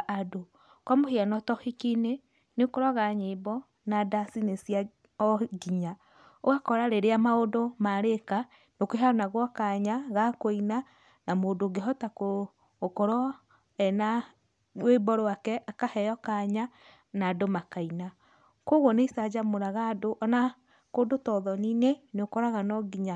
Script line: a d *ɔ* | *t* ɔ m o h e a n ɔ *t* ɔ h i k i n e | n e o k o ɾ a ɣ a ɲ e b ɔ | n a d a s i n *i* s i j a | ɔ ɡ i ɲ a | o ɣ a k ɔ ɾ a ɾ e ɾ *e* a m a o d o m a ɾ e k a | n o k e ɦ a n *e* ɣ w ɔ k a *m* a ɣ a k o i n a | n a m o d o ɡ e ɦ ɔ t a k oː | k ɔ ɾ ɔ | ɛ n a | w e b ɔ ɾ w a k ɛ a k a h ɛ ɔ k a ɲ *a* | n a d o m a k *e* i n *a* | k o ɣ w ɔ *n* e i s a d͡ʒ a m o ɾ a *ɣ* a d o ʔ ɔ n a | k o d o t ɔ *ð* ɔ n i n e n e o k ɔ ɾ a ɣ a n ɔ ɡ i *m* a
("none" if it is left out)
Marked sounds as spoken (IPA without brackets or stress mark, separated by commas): o, k, t, e, e, a, ɲ, a, a, a, n, ɣ, ð, ɲ